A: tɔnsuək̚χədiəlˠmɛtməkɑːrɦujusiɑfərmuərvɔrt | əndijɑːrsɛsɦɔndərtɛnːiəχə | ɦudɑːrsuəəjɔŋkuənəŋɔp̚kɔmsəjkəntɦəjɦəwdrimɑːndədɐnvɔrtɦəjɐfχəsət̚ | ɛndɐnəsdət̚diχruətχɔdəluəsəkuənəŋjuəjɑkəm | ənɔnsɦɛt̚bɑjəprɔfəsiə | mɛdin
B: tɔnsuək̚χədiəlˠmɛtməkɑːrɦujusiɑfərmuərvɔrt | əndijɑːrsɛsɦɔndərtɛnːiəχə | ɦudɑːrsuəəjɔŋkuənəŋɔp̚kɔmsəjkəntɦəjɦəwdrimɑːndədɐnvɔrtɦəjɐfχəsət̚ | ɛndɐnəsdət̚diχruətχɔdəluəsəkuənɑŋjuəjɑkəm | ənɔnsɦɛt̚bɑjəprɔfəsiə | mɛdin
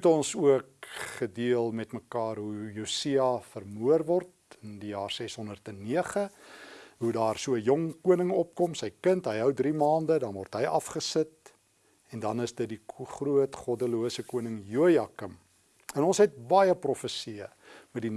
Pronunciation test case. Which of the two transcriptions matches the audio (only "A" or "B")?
A